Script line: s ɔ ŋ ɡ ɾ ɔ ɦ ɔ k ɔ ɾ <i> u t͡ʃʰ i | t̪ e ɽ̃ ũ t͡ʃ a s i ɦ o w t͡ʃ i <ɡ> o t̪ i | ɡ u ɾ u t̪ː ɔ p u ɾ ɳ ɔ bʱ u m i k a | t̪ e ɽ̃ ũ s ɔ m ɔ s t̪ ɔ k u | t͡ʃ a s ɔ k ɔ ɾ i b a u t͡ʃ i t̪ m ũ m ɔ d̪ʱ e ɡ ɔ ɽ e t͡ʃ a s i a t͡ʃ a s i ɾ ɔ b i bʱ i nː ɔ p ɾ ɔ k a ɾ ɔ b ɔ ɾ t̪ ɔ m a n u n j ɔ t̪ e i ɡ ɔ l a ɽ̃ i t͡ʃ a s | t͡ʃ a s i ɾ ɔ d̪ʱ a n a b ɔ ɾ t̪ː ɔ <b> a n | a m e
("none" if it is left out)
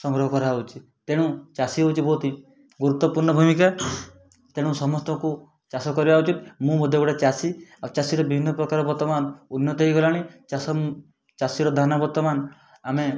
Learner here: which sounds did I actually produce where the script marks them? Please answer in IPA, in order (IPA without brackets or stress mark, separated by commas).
a, b, m